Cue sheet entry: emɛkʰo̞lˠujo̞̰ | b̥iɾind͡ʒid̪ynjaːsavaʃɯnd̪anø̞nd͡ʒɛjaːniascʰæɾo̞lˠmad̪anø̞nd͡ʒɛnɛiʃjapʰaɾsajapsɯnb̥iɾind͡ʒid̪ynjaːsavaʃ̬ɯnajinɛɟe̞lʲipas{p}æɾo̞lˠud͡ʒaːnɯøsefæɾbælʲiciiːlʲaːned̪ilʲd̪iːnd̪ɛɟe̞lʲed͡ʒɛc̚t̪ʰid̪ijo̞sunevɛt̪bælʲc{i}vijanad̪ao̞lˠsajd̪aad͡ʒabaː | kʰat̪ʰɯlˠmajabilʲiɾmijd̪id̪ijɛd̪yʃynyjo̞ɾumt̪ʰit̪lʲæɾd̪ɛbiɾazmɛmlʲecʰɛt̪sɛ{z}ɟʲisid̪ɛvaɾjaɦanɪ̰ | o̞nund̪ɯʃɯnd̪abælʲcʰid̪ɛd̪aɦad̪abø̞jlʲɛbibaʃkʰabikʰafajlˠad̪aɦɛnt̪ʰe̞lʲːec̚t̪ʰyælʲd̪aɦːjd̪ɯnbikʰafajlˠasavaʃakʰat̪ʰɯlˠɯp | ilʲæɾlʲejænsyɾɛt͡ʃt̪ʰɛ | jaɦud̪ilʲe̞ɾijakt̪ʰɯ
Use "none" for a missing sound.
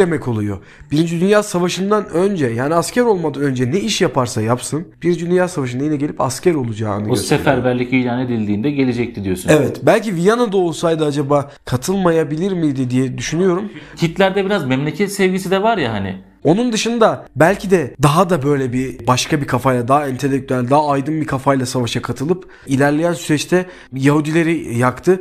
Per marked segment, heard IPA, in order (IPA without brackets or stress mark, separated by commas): c, i, v